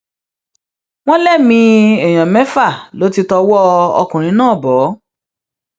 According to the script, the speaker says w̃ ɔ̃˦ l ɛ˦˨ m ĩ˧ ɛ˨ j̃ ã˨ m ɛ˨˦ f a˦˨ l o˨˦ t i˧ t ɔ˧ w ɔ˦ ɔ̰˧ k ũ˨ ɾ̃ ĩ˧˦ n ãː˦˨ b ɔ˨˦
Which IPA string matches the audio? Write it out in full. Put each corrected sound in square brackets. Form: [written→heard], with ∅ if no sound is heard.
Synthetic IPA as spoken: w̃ ɔ̃˦ l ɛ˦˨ m ĩ˧ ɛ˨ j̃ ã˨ m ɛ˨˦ f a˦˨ l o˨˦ t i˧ t ɔ˧ w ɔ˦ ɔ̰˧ k ũ˨ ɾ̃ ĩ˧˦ n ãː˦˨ b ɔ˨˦